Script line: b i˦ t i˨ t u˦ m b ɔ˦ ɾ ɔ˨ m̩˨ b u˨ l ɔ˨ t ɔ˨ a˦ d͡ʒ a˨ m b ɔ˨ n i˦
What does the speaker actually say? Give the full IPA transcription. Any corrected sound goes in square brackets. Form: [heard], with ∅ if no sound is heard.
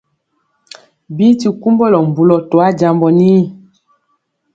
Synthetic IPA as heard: b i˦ t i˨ [k] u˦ m b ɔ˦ [l] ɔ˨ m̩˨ b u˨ l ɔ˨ t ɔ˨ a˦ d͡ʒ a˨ m b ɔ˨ n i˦